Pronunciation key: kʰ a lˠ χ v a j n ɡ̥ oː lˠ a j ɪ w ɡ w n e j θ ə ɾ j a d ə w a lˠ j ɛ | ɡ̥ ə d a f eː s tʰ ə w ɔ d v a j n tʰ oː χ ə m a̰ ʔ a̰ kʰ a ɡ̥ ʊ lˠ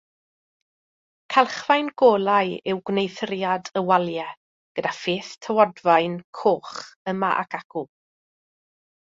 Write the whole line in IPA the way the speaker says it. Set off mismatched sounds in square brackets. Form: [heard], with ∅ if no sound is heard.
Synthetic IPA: kʰ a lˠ χ v a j n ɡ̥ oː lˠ a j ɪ w ɡ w n e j θ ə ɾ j a d ə w a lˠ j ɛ | ɡ̥ ə d a f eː [θ] tʰ ə w ɔ d v a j n [kʰ] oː χ ə m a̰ ʔ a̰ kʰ a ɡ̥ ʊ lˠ